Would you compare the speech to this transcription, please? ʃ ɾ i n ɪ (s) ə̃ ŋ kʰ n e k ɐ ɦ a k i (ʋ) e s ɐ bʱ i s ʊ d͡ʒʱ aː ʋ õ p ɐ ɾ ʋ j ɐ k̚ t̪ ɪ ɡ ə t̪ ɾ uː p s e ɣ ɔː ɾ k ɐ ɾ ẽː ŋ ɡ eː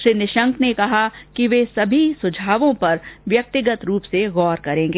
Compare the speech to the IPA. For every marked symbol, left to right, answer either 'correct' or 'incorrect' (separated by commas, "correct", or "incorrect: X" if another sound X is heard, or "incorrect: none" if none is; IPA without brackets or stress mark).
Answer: incorrect: ʃ, correct